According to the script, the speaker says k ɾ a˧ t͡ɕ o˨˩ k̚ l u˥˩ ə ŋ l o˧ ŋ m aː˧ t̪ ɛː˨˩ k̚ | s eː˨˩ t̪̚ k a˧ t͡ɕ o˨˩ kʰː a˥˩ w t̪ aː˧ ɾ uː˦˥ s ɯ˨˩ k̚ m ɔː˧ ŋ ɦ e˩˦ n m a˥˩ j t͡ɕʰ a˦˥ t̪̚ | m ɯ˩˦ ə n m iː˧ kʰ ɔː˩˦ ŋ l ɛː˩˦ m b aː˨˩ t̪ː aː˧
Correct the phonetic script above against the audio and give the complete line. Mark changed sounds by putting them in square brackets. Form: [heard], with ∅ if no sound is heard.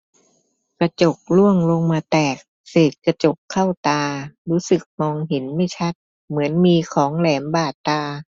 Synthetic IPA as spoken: k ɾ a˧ t͡ɕ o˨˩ k̚ l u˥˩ ə ŋ l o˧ ŋ m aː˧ t̪ ɛː˨˩ k̚ | s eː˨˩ t̪̚ k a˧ t͡ɕ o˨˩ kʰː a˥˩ w t̪ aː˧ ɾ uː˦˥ s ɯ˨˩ k̚ m ɔː˧ ŋ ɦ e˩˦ n m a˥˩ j t͡ɕʰ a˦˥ t̪̚ | m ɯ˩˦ ə n m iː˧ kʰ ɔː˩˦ ŋ l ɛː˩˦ m b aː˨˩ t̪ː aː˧